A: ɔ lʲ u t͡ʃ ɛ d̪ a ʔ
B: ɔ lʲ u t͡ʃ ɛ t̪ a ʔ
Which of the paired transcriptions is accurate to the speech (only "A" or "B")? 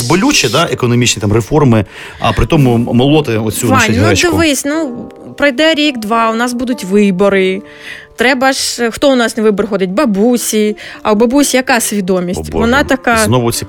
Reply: A